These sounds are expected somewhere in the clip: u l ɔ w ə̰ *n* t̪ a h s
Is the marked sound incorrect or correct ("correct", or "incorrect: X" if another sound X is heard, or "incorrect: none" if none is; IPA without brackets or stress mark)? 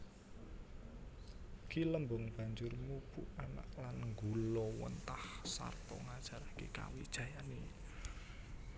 correct